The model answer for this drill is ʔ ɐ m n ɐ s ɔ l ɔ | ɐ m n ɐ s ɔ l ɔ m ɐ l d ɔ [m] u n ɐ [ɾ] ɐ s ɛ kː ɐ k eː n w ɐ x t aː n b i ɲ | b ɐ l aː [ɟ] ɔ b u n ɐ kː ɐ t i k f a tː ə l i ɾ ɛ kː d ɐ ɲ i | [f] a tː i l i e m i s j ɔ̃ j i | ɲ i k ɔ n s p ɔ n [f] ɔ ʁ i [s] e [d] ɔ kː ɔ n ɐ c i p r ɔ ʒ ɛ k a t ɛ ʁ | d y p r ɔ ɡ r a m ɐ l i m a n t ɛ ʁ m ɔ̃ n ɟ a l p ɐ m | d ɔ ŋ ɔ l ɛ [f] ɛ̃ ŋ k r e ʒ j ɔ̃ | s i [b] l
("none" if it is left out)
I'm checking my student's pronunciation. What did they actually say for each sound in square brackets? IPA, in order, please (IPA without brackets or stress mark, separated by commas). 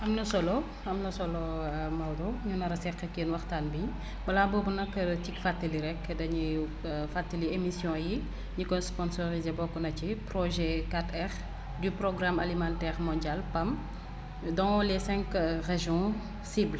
ɲ, ɾ, b, f, s, z, b, s, b